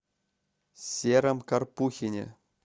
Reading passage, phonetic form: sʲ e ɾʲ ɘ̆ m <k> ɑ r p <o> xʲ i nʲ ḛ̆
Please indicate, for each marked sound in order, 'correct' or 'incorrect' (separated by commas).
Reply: correct, incorrect